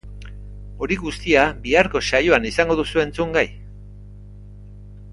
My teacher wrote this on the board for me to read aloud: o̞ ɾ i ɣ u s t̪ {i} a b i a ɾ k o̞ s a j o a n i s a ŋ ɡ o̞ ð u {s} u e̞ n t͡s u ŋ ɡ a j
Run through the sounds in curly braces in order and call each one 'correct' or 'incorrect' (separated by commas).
correct, correct